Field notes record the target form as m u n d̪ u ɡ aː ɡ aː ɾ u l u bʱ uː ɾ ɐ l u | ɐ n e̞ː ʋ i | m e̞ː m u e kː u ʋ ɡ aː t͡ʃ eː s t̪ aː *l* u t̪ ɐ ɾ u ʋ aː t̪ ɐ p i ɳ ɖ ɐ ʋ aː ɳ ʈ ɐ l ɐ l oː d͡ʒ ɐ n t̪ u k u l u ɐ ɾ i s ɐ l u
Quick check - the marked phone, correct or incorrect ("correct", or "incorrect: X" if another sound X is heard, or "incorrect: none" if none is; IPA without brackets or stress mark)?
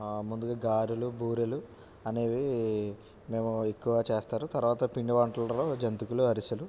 incorrect: ɾ